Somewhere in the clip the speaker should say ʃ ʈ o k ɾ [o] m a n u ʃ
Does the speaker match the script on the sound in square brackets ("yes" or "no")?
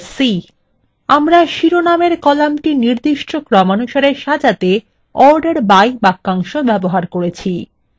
no